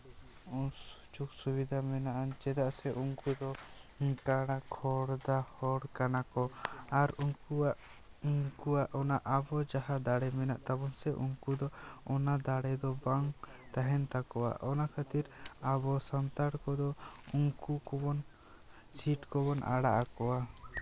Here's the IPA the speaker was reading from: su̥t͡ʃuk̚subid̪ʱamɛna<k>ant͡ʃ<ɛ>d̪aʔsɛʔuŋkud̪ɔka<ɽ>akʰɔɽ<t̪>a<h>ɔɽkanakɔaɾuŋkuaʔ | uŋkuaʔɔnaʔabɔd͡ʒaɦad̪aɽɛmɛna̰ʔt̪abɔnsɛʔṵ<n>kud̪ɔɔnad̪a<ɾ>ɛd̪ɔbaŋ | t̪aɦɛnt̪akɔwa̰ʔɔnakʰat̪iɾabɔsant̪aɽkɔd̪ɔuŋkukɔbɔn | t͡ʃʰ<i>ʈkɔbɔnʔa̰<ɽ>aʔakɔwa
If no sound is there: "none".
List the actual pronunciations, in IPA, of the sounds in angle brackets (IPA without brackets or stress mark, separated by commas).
ʔ, ɛ, ɽ, d̪, h, ŋ, ɽ, i, ɽ